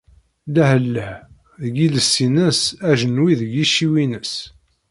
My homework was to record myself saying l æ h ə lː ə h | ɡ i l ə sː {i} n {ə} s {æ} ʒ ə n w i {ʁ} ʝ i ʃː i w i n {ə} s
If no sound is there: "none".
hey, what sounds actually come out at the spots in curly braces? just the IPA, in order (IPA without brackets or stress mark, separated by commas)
i, ə, æ, ð, ə